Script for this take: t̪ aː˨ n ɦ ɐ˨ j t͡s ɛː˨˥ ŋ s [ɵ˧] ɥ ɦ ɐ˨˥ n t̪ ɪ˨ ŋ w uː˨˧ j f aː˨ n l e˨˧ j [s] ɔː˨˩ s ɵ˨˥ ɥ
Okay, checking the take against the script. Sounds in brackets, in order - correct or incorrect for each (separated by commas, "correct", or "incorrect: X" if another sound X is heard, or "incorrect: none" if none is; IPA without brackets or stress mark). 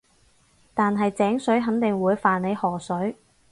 incorrect: ɵ˨˥, incorrect: h